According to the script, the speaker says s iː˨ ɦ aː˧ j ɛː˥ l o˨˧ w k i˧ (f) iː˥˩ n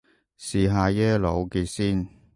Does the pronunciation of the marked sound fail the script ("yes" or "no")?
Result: yes